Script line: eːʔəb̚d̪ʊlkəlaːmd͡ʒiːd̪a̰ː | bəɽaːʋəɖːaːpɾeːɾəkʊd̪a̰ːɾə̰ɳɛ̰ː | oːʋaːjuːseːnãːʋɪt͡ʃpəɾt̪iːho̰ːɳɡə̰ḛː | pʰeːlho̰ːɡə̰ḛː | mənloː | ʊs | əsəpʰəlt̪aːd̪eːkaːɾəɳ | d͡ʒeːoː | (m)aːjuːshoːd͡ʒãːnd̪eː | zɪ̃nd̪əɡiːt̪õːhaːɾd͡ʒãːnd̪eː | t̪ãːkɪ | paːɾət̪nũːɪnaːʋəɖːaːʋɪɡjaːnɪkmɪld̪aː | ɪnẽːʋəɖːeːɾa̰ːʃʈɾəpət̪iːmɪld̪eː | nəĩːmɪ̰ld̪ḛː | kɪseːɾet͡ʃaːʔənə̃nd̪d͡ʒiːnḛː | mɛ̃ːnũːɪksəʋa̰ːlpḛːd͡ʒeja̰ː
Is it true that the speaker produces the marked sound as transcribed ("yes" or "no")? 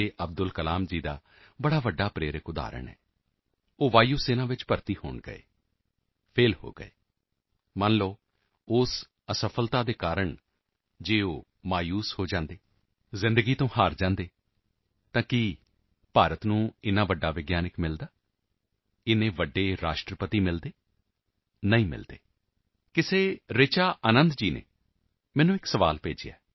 yes